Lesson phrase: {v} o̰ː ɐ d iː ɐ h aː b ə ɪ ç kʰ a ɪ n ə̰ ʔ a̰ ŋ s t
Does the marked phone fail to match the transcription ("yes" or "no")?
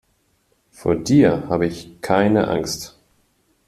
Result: yes